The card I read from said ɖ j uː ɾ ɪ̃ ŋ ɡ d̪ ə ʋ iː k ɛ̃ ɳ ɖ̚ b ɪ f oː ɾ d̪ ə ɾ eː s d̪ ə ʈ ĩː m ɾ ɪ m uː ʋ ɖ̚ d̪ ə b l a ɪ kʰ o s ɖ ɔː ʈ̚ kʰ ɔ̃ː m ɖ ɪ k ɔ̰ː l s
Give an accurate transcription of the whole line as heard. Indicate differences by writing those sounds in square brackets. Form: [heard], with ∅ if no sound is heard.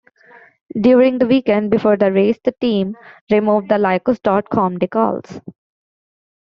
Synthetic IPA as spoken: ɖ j uː ɾ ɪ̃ ŋ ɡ d̪ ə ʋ iː k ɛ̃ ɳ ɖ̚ b ɪ f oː ɾ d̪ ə ɾ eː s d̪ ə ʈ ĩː m ɾ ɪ m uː ʋ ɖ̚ d̪ ə [∅] l a ɪ [k] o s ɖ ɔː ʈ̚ kʰ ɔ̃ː m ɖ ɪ k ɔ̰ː l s